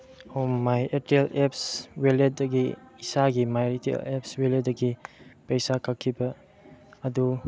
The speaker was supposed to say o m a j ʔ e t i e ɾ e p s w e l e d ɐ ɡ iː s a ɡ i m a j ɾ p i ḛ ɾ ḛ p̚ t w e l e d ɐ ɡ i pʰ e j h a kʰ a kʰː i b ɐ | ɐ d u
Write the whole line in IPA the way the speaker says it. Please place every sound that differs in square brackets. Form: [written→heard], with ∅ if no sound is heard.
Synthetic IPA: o m a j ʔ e t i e [ɾ→l] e p s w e l e d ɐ ɡ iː s a ɡ i m a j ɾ [p→t] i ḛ [ɾ→l] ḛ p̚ [t→s] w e l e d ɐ ɡ i [pʰ→p] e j [h→s] a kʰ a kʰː i b ɐ | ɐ d u